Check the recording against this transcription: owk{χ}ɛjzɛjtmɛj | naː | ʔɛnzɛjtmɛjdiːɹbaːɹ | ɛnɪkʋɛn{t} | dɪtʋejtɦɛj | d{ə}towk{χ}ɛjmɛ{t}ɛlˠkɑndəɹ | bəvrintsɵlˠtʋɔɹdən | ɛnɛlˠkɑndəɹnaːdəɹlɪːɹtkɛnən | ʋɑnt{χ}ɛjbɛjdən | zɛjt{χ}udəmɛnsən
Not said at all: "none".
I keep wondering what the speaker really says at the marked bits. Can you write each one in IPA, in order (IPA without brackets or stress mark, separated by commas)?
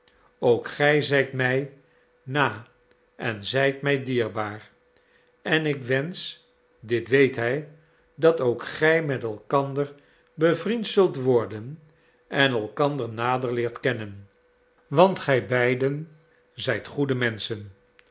χ, s, ɑ, χ, t, χ, χ